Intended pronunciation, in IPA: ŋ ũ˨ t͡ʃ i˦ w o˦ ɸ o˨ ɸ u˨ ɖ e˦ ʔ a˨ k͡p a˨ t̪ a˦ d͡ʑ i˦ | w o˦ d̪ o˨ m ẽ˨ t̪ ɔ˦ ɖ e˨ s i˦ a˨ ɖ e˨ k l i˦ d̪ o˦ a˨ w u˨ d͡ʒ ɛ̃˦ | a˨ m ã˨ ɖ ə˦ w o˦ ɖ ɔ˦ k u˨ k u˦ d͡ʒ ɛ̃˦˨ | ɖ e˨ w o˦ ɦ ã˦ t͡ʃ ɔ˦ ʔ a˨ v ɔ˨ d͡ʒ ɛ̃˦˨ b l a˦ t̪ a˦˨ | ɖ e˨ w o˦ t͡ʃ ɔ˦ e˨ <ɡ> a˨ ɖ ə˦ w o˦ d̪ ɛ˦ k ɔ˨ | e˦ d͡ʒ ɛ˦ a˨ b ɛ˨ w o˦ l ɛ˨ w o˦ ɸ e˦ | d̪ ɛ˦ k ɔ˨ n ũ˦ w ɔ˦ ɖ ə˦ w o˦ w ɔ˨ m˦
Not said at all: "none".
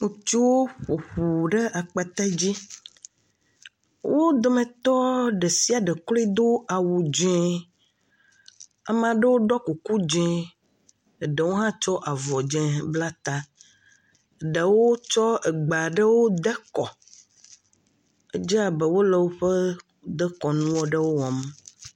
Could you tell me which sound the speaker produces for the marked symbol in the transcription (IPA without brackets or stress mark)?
ɡ͡b